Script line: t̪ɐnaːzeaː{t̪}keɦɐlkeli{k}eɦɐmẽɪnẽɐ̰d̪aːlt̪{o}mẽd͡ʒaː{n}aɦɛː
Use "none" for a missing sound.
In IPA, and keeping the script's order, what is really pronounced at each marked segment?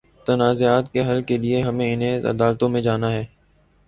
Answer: t̪, none, õ, n

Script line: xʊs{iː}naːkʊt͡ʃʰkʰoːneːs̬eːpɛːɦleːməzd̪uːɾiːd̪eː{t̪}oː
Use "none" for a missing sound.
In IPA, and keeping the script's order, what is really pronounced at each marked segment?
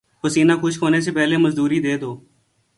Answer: iː, d̪

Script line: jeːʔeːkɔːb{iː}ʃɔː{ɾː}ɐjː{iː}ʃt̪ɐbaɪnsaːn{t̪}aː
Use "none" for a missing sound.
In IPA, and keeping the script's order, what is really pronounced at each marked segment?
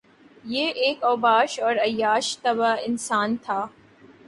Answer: aː, ɾ, aː, t̪ʰ

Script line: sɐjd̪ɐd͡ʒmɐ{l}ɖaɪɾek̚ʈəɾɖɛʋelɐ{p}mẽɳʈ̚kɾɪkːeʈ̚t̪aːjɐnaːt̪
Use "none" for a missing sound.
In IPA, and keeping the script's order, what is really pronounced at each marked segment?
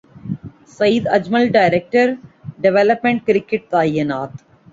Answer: l, p

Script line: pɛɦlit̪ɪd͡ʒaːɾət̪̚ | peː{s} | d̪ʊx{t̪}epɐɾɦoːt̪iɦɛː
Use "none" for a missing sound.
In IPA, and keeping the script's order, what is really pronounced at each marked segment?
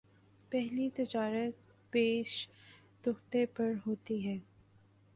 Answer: ʃ, t̪

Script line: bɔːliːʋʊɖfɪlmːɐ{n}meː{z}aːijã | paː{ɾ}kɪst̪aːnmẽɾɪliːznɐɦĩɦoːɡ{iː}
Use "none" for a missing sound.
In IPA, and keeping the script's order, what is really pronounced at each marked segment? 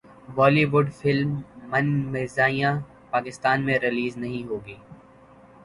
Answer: n, z, none, iː

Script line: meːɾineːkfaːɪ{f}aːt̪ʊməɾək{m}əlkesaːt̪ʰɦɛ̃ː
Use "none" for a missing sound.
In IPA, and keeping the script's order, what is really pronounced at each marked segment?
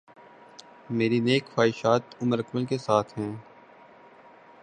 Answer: ʃ, m

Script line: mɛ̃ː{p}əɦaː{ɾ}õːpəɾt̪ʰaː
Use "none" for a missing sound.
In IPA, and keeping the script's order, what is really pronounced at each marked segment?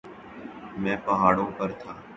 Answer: p, ɽ

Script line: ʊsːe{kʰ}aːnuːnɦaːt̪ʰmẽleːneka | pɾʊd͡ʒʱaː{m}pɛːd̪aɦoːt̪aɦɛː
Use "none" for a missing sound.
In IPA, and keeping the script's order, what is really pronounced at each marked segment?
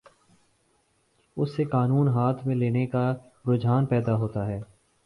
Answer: k, n

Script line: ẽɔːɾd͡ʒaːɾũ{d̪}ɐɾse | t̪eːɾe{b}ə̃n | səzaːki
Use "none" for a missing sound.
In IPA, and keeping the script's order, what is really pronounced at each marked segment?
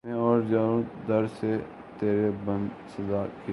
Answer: d̪, b

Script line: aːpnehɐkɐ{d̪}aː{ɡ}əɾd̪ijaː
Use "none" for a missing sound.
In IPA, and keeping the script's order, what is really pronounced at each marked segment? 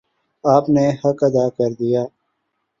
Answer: d̪, k

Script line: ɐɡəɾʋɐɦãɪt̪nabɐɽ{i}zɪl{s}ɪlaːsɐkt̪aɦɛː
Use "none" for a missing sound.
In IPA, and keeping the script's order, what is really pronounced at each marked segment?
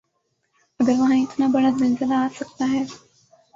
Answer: a, z

